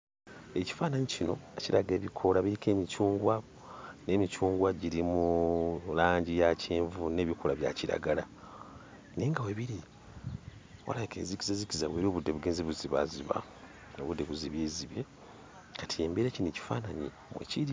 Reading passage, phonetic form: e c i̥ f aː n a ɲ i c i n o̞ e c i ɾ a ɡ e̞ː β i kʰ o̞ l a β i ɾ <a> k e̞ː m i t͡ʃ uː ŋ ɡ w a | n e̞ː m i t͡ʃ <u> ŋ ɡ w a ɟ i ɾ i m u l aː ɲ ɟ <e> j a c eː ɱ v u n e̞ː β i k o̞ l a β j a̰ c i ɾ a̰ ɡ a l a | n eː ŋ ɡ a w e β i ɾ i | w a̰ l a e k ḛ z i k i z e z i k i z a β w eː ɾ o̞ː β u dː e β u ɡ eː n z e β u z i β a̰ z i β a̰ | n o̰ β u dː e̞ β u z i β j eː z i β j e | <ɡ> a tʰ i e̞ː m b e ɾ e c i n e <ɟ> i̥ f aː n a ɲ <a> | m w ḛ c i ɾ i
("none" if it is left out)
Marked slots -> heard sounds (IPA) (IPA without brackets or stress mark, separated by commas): i, uː, i, k, c, i